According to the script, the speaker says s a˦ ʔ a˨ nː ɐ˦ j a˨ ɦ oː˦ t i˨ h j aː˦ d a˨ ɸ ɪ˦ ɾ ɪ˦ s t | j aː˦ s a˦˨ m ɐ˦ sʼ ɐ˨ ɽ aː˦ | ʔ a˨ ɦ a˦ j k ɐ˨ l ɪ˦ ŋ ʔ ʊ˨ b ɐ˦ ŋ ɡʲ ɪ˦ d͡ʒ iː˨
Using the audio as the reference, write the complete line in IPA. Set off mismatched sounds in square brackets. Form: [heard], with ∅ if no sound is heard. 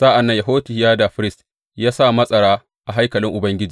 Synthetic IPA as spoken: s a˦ ʔ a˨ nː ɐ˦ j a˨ ɦ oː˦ t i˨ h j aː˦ d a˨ ɸ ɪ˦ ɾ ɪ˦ s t | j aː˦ s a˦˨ m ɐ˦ sʼ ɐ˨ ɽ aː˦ | ʔ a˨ ɦ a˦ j k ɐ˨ l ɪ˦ ŋ ʔ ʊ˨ b ɐ˦ ŋ ɡʲ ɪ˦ d͡ʒ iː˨